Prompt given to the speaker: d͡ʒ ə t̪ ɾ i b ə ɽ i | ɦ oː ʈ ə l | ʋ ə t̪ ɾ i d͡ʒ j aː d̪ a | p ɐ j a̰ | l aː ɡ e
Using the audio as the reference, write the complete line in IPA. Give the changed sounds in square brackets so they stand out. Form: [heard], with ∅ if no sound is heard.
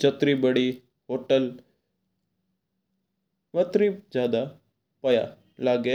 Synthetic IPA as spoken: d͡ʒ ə t̪ ɾ i b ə ɽ i | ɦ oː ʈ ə l | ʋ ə t̪ ɾ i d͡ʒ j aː d̪ a | p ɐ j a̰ | l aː ɡ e